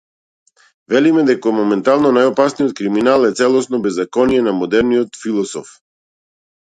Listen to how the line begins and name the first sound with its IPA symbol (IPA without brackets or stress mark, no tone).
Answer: v